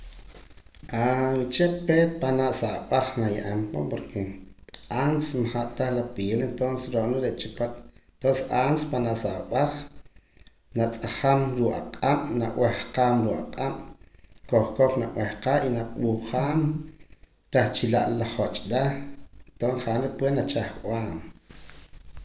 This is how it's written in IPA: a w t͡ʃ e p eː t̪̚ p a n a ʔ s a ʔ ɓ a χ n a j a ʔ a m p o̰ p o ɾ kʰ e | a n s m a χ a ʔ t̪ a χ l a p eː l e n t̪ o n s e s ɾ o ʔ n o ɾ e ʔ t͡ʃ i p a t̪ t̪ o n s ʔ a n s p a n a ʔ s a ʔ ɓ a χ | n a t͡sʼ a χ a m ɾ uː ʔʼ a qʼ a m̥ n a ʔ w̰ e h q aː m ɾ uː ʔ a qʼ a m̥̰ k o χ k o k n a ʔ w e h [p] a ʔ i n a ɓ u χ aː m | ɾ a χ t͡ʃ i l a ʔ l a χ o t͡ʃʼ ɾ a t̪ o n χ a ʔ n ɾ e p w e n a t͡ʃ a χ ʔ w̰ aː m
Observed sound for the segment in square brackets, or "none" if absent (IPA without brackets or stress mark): q